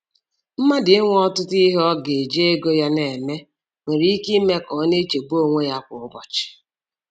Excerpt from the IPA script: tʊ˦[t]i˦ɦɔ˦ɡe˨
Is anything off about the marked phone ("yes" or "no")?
no